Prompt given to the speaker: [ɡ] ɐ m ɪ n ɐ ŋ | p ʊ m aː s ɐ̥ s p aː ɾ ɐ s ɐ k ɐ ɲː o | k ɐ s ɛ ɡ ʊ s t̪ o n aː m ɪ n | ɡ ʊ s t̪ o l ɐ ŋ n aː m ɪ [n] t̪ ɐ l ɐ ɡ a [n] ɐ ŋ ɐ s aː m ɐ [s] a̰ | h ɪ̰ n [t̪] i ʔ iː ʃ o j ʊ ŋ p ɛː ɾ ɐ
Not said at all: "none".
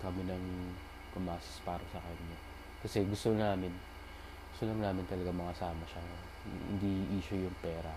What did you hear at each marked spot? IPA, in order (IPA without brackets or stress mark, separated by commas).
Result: k, n, m, ʃ, d̪